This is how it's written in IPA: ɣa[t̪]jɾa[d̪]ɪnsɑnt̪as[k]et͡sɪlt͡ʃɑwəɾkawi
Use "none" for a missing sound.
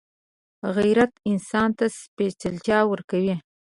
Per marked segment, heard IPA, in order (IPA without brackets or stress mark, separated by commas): none, t̪, p